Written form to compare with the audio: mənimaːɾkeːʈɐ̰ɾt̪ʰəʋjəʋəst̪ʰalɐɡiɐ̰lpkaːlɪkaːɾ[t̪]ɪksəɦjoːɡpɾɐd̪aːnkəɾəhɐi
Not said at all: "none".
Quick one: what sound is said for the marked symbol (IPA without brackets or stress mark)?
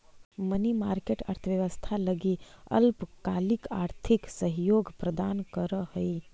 t̪ʰ